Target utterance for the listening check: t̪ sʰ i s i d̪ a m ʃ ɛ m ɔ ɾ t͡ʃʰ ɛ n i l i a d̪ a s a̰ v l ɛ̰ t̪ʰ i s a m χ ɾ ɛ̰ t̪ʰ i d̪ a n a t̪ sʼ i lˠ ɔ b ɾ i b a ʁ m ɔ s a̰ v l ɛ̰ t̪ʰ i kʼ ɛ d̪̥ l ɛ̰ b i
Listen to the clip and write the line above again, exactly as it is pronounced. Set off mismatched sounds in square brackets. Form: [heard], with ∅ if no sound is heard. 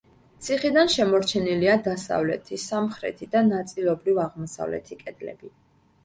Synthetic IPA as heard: t̪ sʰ i [χ] i d̪ a [n] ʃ ɛ m ɔ ɾ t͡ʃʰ ɛ n i l i a d̪ a s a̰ v l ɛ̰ t̪ʰ i s a m χ ɾ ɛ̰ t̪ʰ i d̪ a n a t̪ sʼ i lˠ ɔ b ɾ i [v] a ʁ m ɔ s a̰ v l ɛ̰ t̪ʰ i kʼ ɛ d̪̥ l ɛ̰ b i